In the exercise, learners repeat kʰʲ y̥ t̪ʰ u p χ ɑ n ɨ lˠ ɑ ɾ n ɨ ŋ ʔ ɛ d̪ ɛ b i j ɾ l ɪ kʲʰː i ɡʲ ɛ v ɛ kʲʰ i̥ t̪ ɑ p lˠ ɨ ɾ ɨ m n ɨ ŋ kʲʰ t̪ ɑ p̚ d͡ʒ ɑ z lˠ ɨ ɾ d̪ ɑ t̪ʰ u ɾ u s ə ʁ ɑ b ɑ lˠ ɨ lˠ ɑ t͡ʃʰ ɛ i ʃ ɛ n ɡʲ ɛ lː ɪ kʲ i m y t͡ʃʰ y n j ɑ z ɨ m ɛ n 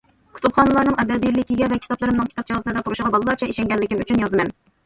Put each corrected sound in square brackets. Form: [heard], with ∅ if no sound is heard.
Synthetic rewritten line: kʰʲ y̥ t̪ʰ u p χ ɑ n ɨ lˠ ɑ ɾ n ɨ ŋ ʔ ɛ d̪ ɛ b i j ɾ l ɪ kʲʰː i ɡʲ ɛ v ɛ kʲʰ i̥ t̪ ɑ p lˠ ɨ ɾ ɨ m n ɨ ŋ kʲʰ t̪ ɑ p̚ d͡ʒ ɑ z lˠ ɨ ɾ d̪ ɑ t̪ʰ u ɾ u [ʃ] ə ʁ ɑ b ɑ lˠ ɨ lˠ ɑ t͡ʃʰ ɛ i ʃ ɛ [ŋ] ɡʲ ɛ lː ɪ kʲ i m y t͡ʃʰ y n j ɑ z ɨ m ɛ n